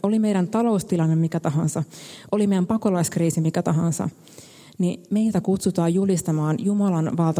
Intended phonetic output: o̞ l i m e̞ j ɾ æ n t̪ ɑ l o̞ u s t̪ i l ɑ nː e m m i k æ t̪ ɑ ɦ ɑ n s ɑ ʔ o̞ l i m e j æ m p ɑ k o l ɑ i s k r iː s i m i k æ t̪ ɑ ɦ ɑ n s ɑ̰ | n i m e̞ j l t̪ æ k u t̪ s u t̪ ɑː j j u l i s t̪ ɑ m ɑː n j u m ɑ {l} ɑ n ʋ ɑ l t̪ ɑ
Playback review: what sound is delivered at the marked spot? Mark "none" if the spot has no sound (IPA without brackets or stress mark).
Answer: l